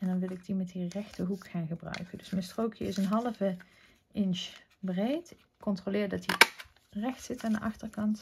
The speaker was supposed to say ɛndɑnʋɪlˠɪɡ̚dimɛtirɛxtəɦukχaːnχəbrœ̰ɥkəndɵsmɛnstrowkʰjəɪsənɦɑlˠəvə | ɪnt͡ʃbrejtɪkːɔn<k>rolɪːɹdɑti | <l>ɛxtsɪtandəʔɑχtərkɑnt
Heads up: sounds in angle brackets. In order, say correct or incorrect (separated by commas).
incorrect, incorrect